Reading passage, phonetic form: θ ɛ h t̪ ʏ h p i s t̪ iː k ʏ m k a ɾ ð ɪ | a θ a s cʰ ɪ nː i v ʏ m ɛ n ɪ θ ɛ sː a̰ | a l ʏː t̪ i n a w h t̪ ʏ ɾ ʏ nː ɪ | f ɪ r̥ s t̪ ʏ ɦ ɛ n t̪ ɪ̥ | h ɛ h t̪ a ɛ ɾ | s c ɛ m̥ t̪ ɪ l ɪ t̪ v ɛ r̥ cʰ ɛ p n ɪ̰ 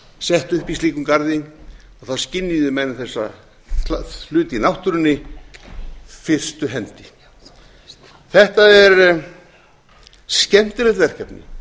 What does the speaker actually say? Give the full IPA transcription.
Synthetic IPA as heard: s ɛ h t̪ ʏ h p i s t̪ iː k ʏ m k a ɾ ð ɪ | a θ a s c ɪ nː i ð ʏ m ɛ n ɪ θ ɛ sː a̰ | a l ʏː t̪ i n a w h t̪ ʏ ɾ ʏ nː ɪ | f ɪ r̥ s t̪ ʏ ɦ ɛ n t̪ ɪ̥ | θ ɛ h t̪ a ɛ ɾ | s c ɛ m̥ t̪ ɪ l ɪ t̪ v ɛ r̥ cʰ ɛ p n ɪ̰